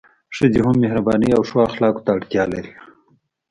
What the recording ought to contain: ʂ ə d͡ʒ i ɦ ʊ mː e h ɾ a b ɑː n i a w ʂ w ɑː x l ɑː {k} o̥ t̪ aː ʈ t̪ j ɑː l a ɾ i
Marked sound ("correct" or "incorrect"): correct